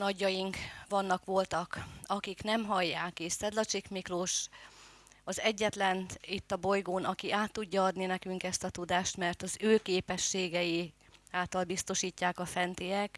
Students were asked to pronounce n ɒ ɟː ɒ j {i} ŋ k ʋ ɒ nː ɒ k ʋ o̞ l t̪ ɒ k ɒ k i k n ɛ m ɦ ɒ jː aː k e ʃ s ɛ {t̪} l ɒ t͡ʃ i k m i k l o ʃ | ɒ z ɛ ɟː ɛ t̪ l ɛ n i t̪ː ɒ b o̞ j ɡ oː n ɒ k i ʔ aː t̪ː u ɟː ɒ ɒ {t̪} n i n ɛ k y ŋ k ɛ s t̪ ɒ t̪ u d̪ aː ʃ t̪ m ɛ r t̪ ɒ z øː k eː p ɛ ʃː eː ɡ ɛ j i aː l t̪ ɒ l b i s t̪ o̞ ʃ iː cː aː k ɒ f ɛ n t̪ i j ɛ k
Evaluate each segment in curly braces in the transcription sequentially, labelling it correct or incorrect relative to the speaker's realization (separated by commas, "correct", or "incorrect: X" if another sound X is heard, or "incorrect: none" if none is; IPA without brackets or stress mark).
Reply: correct, incorrect: d̪, incorrect: d̪